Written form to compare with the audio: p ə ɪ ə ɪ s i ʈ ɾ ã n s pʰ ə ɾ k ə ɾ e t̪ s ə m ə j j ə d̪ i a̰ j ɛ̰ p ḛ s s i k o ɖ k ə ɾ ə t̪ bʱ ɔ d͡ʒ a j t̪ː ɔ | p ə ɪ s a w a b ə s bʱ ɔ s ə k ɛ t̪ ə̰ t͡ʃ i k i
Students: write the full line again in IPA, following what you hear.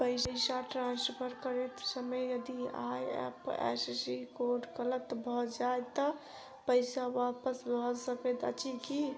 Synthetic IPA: p ə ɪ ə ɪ s a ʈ ɾ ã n s pʰ ə ɾ k ə ɾ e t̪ s ə m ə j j ə d̪ i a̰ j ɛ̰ p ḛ s s i k o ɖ k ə l ə t̪ bʱ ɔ d͡ʒ a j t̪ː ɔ | p ə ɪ s a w a p ə s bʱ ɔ s ə k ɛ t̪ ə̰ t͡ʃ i k i